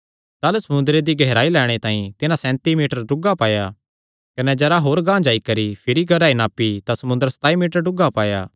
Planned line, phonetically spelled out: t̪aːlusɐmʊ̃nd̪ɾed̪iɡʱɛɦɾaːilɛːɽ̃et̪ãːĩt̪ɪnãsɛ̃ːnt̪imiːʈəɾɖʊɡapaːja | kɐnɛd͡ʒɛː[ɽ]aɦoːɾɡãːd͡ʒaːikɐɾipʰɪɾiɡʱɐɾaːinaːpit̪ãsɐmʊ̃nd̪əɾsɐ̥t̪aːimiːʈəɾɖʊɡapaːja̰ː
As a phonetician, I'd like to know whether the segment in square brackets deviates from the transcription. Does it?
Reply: yes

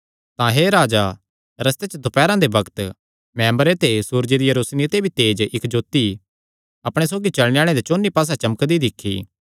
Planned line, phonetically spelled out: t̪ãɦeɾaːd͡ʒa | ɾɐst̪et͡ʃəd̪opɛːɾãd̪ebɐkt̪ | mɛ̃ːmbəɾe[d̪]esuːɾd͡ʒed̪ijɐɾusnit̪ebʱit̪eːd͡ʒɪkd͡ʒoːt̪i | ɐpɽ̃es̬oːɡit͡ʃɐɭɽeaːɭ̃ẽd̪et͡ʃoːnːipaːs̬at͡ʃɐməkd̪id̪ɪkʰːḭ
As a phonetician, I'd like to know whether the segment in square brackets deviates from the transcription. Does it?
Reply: yes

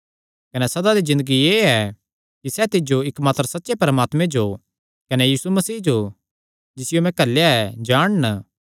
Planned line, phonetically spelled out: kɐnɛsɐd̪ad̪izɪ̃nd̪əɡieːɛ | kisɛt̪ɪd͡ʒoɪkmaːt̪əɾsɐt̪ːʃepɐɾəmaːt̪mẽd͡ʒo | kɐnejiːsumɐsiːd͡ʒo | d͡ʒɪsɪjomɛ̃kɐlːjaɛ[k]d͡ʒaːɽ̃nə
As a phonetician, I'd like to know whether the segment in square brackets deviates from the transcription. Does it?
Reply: yes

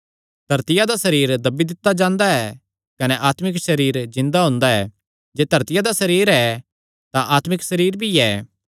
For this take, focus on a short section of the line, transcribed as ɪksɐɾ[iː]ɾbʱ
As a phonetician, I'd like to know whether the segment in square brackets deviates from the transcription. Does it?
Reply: no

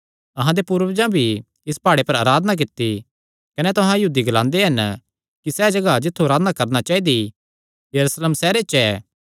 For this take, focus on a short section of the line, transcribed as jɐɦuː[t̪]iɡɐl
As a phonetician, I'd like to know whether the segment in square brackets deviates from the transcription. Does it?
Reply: yes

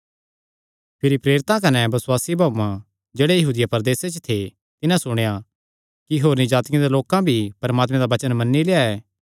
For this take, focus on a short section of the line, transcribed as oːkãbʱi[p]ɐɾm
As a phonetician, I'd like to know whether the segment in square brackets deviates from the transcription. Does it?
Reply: no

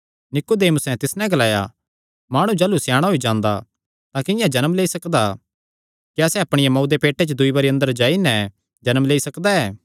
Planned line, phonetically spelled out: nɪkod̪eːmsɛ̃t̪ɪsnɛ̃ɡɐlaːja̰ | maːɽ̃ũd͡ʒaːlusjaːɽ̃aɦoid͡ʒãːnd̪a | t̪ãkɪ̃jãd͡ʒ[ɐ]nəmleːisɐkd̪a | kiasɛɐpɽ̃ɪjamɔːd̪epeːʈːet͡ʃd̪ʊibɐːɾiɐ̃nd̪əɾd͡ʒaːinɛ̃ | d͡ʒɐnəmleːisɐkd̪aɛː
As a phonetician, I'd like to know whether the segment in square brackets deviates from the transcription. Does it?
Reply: no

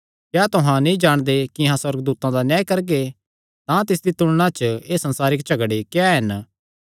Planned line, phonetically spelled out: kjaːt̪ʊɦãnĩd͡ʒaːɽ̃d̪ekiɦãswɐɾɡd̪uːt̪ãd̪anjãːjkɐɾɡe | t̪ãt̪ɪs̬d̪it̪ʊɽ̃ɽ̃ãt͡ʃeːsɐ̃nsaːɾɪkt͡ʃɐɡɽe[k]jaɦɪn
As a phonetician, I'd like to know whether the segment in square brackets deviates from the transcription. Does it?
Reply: no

